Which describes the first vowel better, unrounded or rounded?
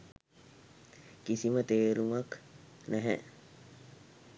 unrounded